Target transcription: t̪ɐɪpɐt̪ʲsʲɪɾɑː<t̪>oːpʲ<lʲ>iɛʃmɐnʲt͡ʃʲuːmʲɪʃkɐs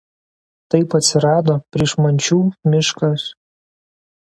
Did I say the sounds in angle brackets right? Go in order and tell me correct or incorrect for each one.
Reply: incorrect: d̪, incorrect: ɾʲ

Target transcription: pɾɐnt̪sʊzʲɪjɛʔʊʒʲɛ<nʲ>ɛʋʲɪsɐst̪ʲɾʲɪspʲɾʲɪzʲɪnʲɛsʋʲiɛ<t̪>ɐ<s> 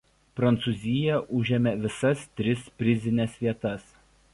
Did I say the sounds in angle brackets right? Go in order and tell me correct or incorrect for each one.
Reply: incorrect: mʲ, correct, correct

